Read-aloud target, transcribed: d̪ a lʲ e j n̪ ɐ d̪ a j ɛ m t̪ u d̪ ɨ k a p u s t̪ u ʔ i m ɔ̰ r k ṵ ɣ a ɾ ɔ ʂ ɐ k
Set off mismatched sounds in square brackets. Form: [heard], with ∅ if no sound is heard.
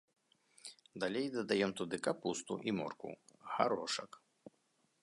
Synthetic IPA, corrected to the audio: d̪ a lʲ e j [d̪] ɐ d̪ a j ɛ m t̪ u d̪ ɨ k a p u s t̪ u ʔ i m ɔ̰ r k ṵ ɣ a ɾ ɔ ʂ ɐ k